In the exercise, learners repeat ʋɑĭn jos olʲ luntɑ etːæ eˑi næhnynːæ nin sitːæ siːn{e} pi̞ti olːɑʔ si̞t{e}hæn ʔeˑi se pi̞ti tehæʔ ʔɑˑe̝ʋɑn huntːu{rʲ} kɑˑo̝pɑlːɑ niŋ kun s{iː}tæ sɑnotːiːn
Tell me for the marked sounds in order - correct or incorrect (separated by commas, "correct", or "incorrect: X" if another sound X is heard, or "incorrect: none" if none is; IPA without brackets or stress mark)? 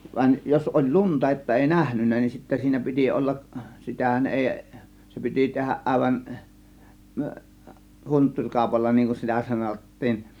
incorrect: æ, incorrect: æ, correct, incorrect: i